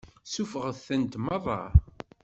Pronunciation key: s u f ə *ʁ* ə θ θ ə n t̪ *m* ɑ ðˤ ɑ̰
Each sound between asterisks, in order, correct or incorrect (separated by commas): correct, correct